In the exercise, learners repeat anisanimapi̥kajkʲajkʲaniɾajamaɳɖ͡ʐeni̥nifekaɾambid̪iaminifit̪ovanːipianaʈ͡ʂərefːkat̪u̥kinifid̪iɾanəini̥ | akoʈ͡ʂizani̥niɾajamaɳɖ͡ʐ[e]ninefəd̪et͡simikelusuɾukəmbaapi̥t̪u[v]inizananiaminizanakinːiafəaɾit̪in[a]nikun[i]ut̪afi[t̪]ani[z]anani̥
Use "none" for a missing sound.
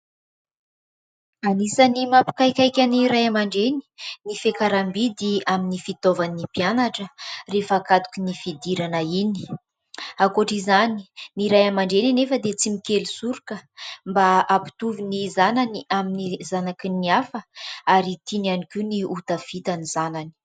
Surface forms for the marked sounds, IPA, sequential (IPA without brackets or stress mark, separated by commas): e, v, a, i, t̪, z